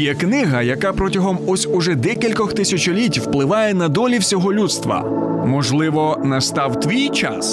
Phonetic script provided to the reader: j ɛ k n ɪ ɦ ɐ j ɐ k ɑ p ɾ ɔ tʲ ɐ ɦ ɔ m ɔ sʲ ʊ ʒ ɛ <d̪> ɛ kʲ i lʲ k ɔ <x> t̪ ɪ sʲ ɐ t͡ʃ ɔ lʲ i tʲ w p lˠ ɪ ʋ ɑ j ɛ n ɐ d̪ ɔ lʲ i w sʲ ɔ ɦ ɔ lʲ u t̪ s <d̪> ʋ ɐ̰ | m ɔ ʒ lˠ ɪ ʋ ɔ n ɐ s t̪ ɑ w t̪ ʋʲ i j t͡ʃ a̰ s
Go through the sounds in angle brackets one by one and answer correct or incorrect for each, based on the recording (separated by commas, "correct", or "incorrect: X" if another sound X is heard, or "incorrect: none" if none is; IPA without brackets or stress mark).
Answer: correct, correct, incorrect: t̪